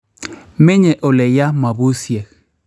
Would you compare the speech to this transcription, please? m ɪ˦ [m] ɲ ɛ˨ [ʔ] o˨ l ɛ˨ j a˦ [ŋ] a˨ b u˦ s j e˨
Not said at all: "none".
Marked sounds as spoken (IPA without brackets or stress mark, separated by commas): none, ʔ, m